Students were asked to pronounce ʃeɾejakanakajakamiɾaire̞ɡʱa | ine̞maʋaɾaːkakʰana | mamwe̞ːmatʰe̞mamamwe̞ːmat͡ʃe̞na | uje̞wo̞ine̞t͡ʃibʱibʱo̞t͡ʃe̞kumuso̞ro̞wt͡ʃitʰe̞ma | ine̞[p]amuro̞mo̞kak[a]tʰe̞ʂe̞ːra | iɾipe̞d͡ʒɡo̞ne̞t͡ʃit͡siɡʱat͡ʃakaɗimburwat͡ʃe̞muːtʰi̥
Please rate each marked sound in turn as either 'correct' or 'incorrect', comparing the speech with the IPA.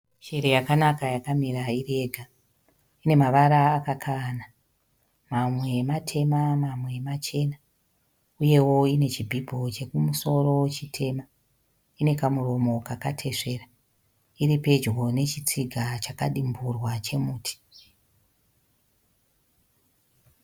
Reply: incorrect: k, correct

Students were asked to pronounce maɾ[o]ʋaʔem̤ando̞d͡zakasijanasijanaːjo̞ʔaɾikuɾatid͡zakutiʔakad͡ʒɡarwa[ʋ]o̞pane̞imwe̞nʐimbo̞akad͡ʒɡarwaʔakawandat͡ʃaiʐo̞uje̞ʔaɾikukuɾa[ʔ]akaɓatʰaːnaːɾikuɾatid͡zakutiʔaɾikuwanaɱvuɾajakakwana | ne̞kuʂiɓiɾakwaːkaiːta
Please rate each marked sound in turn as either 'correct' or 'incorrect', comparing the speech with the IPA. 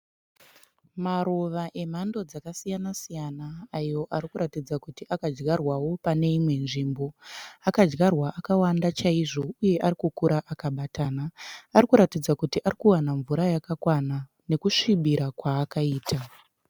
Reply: correct, incorrect: w, correct

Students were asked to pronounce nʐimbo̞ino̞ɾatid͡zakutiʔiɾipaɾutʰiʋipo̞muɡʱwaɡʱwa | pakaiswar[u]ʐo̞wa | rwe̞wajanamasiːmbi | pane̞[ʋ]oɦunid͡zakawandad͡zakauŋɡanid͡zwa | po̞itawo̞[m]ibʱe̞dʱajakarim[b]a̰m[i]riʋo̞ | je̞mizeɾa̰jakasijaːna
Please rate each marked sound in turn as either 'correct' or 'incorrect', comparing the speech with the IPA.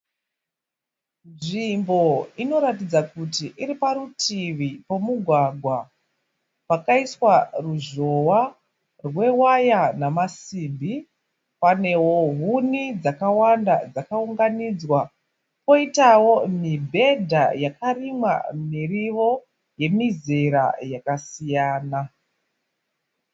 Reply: correct, incorrect: w, correct, incorrect: w, correct

